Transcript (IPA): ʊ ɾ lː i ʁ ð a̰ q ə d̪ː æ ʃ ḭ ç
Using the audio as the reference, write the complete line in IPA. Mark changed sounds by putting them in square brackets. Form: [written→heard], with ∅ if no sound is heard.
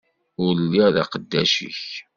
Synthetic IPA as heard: ʊ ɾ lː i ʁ ð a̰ q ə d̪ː æ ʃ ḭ ç

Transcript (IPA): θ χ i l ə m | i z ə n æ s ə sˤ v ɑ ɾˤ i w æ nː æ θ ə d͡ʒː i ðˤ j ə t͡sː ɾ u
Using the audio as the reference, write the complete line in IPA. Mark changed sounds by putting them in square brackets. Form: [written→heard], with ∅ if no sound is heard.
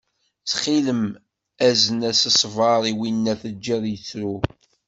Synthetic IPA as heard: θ χ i l ə m | [i→æ] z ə n æ s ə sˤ v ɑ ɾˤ i w [æ→i] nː æ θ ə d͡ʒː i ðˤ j ə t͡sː ɾ u

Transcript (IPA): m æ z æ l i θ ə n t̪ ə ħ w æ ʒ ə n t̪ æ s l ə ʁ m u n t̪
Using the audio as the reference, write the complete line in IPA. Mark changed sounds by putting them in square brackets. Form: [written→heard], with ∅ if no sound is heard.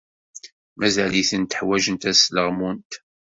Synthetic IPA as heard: m æ z æ l i θ ə n t̪ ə ħ w æ ʒ ə n t̪ æ s l ə ʁ m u n t̪

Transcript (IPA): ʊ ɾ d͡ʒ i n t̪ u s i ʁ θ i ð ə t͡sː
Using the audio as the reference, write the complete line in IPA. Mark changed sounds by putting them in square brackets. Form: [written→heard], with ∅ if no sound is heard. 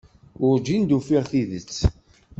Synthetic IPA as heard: ʊ ɾ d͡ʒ i n [t̪→d̪] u [s→f] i ʁ θ i ð ə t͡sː

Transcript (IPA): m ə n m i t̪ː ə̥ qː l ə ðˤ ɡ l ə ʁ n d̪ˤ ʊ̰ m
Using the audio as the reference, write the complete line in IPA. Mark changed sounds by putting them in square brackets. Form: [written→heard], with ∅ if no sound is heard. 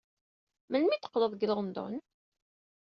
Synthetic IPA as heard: m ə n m i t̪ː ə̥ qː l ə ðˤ ɡ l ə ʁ n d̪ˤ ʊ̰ [m→n]

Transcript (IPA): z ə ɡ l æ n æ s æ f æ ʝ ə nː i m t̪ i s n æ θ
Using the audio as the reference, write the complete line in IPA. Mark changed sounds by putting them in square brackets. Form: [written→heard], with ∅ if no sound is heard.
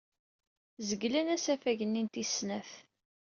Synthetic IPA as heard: z ə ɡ l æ n æ s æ f æ ʝ ə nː i [m→n] t̪ i s n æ θ

